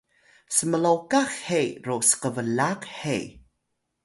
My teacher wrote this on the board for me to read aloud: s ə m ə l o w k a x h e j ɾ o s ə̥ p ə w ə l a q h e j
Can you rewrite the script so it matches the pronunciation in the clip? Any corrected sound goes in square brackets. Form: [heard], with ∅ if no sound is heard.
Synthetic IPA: s ə m ə l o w k a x h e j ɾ o s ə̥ [q] ə [v] ə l a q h e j